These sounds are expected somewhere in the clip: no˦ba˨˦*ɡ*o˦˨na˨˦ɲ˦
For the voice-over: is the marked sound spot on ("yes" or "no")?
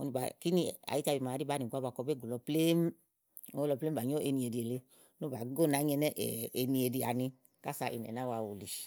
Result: yes